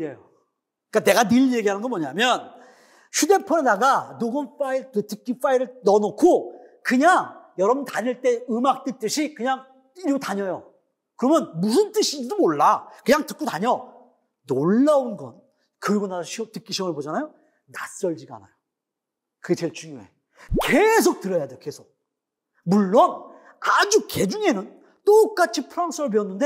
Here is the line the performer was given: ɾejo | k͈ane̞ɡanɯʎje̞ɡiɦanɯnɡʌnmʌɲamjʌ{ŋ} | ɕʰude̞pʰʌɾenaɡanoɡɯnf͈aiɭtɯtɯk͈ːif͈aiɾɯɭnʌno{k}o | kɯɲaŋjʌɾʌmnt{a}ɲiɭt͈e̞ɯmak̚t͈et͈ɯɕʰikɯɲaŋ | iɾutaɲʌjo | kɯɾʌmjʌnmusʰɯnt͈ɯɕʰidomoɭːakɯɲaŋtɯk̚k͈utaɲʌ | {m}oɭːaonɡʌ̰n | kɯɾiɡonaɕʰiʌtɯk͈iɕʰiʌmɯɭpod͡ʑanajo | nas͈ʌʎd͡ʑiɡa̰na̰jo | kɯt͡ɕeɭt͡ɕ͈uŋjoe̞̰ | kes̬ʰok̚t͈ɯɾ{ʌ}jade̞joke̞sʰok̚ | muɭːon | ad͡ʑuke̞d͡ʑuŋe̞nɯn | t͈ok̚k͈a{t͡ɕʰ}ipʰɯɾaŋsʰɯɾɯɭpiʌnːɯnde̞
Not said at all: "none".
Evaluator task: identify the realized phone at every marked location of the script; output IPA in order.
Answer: n, kʰ, a, n, ʌ, t͡ɕʰ

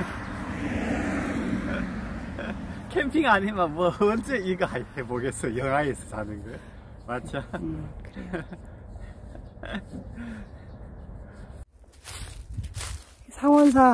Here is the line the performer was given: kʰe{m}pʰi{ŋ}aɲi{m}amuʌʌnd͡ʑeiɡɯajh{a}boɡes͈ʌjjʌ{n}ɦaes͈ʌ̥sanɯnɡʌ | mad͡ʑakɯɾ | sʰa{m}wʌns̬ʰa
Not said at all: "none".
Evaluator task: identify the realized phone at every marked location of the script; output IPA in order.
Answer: m, ŋ, m, e, ŋ, ŋ

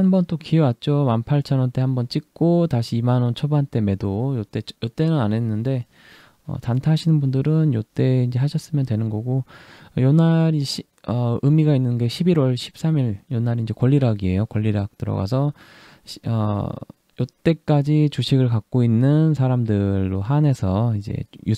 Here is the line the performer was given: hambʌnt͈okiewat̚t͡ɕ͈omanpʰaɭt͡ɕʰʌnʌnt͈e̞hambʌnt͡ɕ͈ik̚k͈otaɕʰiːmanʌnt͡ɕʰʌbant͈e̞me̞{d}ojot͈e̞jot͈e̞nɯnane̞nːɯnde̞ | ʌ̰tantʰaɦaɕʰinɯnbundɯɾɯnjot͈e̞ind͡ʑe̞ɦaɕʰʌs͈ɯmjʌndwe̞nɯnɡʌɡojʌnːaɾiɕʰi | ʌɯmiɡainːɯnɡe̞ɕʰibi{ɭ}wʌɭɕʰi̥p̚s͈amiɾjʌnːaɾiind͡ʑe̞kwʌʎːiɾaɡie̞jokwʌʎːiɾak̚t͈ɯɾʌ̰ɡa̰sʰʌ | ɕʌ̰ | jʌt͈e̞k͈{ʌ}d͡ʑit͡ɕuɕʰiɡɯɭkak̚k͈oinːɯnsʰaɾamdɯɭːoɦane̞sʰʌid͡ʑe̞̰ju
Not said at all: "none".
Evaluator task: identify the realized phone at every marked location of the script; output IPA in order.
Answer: d, ɾ, a

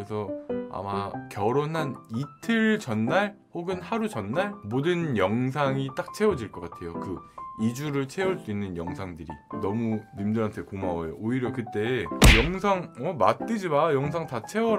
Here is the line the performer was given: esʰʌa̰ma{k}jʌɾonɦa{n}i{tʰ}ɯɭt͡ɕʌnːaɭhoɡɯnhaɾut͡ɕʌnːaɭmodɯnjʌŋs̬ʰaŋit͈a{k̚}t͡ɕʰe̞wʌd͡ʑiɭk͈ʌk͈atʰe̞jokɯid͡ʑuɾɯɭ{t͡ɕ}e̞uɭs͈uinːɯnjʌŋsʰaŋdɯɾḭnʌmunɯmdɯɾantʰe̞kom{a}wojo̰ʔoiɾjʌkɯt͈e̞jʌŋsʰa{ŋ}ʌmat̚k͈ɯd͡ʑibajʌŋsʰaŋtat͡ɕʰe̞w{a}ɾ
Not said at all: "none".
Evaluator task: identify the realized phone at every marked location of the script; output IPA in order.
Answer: k, n, tʰ, k̚, t͡ɕʰ, a, ŋ, ʌ

